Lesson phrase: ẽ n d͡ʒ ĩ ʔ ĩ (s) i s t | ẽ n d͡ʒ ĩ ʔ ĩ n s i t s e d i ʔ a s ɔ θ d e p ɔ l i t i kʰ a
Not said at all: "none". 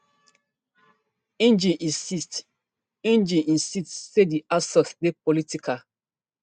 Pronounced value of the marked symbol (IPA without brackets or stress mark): s